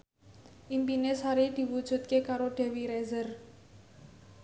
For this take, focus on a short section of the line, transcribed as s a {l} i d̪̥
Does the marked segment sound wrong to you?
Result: yes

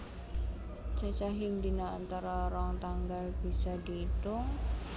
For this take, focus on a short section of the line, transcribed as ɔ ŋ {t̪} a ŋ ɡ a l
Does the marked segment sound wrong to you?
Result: no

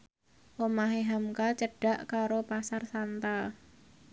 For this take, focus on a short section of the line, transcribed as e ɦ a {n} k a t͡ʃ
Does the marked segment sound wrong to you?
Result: yes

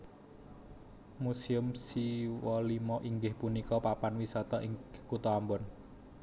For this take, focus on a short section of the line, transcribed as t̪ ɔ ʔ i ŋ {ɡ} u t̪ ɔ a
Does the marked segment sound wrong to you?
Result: yes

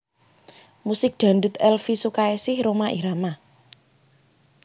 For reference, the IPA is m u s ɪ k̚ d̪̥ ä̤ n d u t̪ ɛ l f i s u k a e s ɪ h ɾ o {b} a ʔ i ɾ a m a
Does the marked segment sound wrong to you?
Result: yes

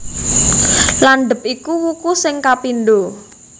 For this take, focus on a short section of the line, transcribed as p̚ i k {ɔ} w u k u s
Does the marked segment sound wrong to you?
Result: yes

